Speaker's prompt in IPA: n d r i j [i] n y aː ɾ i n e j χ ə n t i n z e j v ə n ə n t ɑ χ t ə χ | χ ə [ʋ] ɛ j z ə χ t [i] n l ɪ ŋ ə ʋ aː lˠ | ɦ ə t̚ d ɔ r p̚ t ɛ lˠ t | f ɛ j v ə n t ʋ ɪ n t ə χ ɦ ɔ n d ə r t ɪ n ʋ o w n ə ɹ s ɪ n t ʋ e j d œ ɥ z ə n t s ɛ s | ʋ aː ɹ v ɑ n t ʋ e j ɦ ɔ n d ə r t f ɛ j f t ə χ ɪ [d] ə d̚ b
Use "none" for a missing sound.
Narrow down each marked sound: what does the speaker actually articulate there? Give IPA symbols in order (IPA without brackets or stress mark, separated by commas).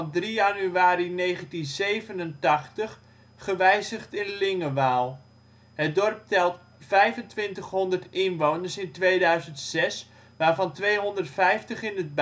a, ʋ, ɪ, n